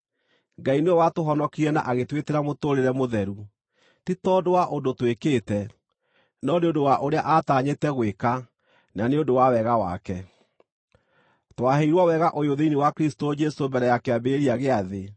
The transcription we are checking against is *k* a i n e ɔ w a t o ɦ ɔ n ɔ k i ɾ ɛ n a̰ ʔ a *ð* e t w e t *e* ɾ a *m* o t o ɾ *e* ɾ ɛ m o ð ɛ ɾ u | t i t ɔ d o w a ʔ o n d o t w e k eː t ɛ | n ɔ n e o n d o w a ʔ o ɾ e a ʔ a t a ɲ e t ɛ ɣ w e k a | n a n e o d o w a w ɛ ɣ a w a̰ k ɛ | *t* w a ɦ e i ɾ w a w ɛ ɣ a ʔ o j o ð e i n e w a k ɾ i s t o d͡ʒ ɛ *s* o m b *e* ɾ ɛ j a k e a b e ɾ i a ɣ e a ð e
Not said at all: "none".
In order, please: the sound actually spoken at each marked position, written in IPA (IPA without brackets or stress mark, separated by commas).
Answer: ɡ, ɣ, e, m, e, t, s, ɛ